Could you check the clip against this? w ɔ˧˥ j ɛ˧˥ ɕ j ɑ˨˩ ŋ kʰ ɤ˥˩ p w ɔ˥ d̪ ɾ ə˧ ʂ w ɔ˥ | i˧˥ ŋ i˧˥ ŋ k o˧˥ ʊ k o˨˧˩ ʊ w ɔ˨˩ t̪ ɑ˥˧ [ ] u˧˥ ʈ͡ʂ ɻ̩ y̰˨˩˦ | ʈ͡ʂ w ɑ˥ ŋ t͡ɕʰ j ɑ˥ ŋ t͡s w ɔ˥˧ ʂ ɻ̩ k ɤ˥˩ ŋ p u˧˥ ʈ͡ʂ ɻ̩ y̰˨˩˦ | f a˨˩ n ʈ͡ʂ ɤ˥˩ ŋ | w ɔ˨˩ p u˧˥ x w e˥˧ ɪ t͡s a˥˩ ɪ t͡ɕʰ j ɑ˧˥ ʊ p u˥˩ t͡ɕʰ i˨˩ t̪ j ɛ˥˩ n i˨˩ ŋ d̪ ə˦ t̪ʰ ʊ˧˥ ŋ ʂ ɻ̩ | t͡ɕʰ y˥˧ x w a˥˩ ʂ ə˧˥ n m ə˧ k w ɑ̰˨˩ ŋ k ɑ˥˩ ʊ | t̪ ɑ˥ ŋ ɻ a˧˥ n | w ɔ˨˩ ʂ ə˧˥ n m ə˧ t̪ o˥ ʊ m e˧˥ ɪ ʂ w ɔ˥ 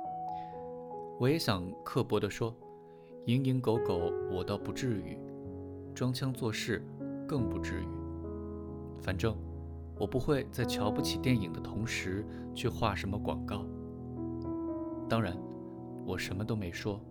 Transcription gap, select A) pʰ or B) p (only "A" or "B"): B